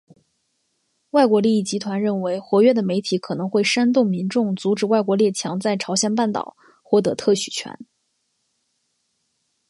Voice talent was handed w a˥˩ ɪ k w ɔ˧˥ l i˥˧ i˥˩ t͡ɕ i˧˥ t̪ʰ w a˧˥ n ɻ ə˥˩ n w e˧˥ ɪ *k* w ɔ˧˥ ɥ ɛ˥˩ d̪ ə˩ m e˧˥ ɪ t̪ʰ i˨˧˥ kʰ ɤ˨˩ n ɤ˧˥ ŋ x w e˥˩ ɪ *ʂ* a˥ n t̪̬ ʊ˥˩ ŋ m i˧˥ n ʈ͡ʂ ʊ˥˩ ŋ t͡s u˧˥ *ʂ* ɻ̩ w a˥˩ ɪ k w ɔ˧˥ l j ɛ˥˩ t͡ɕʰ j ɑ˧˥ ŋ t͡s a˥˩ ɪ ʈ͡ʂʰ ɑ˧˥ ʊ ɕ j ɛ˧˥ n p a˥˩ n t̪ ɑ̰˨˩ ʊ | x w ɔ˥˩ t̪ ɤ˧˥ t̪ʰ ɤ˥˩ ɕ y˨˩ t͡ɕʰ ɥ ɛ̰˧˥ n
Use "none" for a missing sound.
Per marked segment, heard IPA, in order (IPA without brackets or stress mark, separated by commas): x, ʂ, ʈ͡ʂ